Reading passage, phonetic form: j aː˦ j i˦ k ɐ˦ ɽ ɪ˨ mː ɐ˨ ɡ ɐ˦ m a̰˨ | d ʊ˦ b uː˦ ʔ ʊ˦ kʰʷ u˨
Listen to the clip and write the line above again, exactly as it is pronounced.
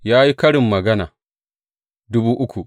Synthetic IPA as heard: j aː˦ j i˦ k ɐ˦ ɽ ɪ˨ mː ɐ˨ ɡ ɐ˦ n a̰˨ | d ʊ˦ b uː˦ ʔ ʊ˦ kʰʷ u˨